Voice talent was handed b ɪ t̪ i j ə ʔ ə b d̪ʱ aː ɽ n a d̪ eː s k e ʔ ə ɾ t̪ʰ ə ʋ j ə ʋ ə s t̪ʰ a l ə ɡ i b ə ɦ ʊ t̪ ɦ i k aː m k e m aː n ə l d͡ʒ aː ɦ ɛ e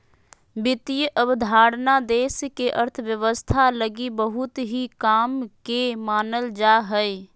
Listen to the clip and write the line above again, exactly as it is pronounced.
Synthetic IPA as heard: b ɪ t̪ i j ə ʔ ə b d̪ʱ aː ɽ n a d̪ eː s k e ʔ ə ɾ t̪ʰ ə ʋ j ə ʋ ə s t̪ʰ a l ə ɡ i b ə ɦ ʊ t̪ ɦ i k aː m k e m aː n ə l d͡ʒ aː ɦ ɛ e